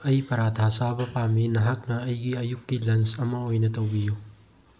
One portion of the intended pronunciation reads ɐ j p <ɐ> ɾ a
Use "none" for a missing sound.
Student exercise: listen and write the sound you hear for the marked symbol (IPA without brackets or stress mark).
ɐ